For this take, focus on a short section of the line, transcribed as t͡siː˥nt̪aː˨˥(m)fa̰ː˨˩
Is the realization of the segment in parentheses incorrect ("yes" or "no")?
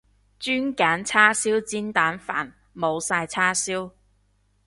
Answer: yes